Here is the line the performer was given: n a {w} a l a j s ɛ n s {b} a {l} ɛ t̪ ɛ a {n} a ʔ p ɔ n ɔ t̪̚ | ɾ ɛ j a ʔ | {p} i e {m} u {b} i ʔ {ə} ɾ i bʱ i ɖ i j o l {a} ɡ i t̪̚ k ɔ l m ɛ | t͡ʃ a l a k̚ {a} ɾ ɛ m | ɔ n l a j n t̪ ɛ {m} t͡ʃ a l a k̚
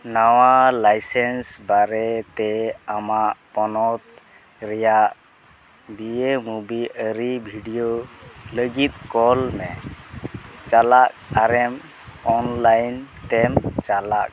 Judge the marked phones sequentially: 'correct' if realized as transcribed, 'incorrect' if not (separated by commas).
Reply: correct, correct, incorrect, incorrect, incorrect, correct, correct, correct, incorrect, correct, correct